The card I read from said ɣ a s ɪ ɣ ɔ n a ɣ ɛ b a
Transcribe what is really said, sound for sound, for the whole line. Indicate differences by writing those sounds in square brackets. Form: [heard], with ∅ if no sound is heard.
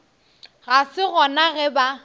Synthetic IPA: ɣ a s ɪ ɣ ɔ n a ɣ ɛ b a